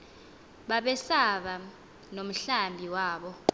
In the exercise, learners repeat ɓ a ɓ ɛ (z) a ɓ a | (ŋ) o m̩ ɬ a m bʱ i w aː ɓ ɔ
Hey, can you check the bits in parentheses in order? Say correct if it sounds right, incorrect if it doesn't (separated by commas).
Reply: incorrect, incorrect